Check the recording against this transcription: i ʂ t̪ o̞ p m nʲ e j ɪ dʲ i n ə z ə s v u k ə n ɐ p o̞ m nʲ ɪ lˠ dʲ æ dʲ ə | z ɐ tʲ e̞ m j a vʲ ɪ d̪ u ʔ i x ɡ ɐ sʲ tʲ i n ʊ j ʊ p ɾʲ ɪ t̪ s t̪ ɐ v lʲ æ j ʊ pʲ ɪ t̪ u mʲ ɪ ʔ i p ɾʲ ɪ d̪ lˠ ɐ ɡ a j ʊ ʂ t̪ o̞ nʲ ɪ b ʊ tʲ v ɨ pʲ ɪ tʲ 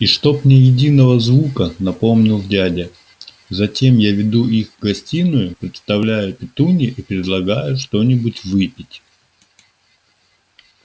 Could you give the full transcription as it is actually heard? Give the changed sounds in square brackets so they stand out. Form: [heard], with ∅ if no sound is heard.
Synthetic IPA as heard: i ʂ t̪ o̞ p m nʲ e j ɪ dʲ i n ə [v] ə [z] v u k ə n ɐ p o̞ m nʲ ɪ lˠ dʲ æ dʲ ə | z ɐ tʲ e̞ m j a vʲ ɪ d̪ u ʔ i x ɡ ɐ sʲ tʲ i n ʊ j ʊ p ɾʲ ɪ t̪ s t̪ ɐ v lʲ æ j ʊ pʲ ɪ t̪ u [nʲ] ɪ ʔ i p ɾʲ ɪ d̪ lˠ ɐ ɡ a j ʊ ʂ t̪ o̞ nʲ ɪ b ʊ tʲ v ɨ pʲ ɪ tʲ